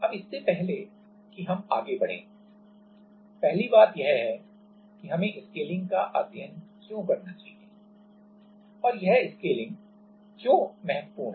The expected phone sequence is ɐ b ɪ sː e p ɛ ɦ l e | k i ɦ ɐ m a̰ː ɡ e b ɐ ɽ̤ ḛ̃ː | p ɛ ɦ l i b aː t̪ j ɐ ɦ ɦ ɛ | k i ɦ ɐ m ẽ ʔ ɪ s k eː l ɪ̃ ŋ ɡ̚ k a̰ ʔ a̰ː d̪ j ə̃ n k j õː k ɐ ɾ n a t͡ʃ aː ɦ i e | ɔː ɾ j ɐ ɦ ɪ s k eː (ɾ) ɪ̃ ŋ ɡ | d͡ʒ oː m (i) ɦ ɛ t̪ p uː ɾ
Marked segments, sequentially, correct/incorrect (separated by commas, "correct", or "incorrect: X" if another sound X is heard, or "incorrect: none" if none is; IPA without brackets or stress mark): incorrect: l, incorrect: ɛ